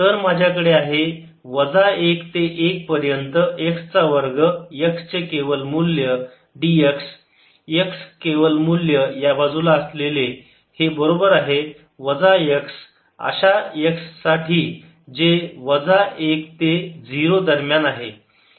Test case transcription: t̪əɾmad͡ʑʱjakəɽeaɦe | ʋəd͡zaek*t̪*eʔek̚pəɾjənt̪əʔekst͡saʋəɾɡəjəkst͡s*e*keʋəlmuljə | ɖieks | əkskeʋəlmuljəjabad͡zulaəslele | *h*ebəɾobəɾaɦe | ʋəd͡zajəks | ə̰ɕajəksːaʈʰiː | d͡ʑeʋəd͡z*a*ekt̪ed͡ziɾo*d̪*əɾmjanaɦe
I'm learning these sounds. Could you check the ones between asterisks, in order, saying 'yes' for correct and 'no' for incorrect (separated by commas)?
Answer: yes, yes, yes, yes, yes